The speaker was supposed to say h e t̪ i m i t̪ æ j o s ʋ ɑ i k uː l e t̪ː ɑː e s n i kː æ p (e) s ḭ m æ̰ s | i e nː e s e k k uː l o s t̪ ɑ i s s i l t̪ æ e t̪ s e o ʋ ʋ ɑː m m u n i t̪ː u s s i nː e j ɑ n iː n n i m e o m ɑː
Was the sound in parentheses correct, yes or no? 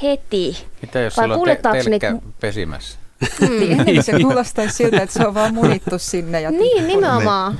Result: yes